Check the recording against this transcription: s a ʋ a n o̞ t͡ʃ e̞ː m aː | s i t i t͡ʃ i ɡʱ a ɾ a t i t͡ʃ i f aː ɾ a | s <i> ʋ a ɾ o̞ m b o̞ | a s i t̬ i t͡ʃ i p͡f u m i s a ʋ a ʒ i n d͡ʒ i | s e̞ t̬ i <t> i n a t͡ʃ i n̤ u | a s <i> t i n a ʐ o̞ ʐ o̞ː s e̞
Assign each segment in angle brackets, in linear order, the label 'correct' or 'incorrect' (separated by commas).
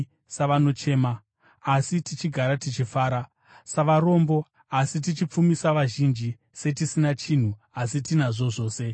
incorrect, incorrect, correct